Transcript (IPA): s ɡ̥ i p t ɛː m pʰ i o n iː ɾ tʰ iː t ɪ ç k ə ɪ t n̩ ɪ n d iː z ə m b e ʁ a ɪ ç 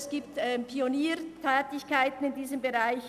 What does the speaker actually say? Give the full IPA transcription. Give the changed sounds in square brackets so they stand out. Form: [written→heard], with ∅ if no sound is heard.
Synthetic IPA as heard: s ɡ̥ [i→iː] p t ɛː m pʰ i o n iː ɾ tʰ [iː→ɛː] t ɪ ç k [ə→a] ɪ t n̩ ɪ n d iː z ə m b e ʁ a ɪ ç